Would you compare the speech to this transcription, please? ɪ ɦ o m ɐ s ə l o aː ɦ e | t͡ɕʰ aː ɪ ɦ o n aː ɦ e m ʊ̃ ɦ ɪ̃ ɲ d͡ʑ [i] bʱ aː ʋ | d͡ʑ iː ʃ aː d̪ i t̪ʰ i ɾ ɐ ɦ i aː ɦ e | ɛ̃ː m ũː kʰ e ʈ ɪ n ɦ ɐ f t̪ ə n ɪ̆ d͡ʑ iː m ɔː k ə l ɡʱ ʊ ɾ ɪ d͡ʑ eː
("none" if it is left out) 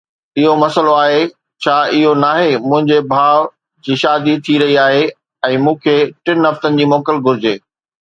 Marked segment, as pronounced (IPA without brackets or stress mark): e